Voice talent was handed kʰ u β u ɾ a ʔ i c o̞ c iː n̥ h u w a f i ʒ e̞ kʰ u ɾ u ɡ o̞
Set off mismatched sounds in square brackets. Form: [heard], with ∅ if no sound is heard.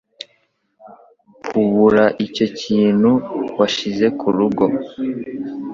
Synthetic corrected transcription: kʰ u β u ɾ a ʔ i c o̞ c iː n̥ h u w a [ʃ] i [z] e̞ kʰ u ɾ u ɡ o̞